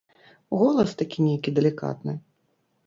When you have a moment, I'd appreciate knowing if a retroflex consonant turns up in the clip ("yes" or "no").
no